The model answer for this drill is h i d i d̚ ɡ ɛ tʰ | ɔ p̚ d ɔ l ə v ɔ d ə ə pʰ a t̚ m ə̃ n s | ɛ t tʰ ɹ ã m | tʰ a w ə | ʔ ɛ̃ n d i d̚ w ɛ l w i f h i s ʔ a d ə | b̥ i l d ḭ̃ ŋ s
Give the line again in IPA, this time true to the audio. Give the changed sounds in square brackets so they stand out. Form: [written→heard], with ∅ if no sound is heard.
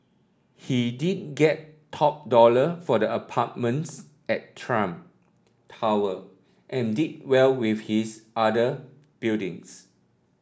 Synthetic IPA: h i d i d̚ ɡ ɛ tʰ | ɔ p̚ d ɔ l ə [v→f] ɔ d ə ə pʰ a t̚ m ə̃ n s | ɛ t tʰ ɹ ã m | tʰ a w ə | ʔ ɛ̃ n d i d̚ w ɛ l w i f h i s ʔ a d ə | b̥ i l d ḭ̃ ŋ s